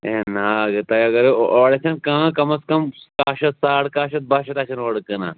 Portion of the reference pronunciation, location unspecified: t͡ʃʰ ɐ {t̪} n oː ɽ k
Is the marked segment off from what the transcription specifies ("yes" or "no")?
yes